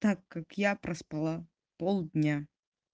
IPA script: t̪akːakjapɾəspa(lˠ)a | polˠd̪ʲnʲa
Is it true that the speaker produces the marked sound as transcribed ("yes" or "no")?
yes